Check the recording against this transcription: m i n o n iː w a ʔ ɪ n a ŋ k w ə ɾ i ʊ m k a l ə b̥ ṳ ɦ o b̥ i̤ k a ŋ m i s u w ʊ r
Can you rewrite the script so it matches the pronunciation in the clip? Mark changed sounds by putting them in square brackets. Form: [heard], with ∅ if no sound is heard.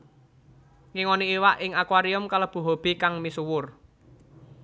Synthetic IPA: [ŋ] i [ŋ] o n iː w a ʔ ɪ [ŋ] a [∅] k w [a] ɾ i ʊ m k a l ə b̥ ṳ ɦ o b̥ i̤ k a ŋ m i s u w ʊ r

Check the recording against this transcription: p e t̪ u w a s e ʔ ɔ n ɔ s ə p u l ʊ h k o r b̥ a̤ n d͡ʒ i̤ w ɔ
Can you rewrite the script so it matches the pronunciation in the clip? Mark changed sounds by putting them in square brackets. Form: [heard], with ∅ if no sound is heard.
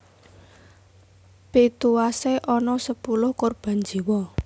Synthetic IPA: p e t̪ u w a s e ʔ ɔ n ɔ s ə p u l ʊ h k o r b̥ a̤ n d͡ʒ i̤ w ɔ

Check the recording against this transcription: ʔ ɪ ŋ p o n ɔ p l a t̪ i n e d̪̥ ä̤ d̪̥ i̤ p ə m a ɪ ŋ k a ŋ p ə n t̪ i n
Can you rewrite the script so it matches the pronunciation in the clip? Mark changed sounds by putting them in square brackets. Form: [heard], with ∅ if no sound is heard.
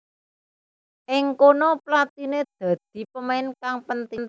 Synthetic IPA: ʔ ɪ ŋ [k] o n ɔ p l a t̪ i n e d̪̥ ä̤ d̪̥ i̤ p ə m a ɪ [n] k a ŋ p ə n t̪ i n

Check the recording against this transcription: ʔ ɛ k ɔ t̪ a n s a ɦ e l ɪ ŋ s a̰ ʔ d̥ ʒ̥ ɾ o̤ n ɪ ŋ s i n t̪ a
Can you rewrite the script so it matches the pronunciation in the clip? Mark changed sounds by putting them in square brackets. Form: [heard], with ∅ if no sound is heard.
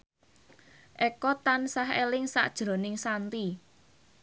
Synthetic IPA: ʔ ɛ k ɔ t̪ a n s a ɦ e l ɪ ŋ s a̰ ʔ d̥ ʒ̥ ɾ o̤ n ɪ ŋ s [a] n t̪ [i]

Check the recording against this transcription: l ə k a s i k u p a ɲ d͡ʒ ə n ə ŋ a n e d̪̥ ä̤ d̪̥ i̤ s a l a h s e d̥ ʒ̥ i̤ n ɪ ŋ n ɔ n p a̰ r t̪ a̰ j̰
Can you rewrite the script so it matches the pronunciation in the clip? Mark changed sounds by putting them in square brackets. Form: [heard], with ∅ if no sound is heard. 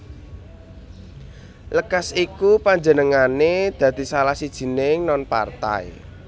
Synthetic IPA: l ə k a s i k u p a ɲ d͡ʒ ə n ə ŋ a n e d̪̥ ä̤ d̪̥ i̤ s a l a h s [i] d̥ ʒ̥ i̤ n ɪ ŋ n ɔ n p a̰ r t̪ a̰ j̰

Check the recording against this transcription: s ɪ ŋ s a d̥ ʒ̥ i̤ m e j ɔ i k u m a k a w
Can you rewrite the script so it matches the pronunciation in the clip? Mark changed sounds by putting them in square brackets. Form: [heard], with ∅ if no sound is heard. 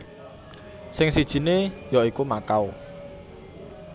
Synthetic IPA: s ɪ ŋ s [i] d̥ ʒ̥ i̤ [n] e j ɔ i k u m a k a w

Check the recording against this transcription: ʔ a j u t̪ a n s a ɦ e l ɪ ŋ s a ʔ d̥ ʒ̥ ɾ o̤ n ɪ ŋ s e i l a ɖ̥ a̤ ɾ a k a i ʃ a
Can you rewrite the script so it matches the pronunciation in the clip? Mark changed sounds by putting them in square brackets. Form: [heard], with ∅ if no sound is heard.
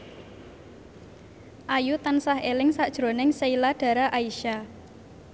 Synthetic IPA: ʔ a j u t̪ a n s a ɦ e l ɪ ŋ s a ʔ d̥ ʒ̥ ɾ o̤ n ɪ ŋ s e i l a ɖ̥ a̤ ɾ a [ʔ] a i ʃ a

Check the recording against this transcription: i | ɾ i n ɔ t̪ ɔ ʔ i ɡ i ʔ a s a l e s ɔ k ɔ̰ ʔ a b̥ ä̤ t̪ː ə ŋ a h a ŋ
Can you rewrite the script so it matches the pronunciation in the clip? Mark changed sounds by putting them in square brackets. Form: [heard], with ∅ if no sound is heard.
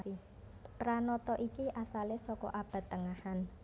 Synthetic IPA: i | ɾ [a] n ɔ t̪ ɔ ʔ i [k] i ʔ a s a l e s ɔ k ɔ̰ ʔ a b̥ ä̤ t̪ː ə ŋ a h a [n]

